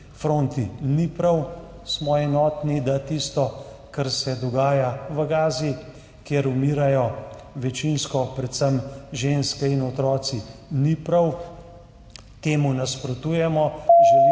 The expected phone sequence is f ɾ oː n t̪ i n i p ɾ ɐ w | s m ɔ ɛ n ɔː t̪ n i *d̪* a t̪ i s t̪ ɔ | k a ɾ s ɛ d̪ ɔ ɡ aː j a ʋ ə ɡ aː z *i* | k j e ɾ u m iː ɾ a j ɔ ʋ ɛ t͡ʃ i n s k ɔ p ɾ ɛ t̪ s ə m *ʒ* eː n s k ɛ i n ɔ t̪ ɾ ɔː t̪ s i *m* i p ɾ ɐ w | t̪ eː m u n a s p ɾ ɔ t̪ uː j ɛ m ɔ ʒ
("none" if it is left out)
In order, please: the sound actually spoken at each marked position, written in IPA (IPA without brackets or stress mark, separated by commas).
d̪, i, ʒ, n